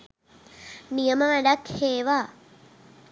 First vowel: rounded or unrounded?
unrounded